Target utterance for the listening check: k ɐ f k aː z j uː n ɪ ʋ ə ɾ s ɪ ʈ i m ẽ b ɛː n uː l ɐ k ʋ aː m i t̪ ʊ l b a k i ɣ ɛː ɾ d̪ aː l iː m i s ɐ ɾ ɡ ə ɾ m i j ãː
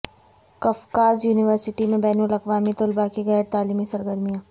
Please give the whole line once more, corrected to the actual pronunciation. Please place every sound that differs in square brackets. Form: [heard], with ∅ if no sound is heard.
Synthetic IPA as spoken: k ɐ f k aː z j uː n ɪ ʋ ə ɾ s ɪ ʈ i m ẽ b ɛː n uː l ɐ k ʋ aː m i t̪ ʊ l b a k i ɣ ɛː ɾ [t̪] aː l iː m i s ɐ ɾ ɡ ə ɾ m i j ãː